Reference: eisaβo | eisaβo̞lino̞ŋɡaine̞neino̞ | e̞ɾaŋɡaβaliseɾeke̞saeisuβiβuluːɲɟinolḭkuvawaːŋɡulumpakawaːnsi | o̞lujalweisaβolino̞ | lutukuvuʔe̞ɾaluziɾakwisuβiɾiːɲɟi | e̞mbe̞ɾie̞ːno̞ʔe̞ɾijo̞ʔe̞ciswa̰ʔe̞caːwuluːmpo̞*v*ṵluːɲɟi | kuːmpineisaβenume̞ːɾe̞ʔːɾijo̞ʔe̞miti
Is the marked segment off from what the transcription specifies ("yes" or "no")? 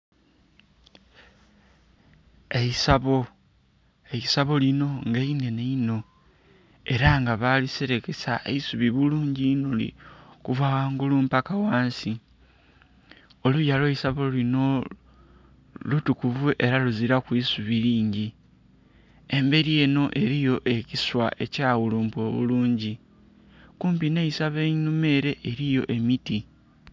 yes